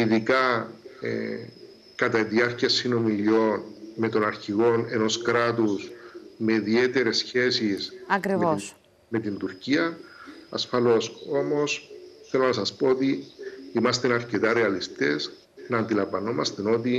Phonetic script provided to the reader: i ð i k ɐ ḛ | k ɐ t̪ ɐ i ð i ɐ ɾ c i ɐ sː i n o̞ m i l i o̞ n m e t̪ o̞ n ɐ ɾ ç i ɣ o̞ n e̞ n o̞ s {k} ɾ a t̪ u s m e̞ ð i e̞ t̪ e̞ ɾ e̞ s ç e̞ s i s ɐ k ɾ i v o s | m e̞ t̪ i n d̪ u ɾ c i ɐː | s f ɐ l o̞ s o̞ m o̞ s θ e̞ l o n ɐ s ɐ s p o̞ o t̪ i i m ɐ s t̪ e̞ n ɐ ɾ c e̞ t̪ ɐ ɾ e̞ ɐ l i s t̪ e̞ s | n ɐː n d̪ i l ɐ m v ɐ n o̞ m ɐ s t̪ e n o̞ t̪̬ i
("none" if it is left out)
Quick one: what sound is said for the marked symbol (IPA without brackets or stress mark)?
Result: k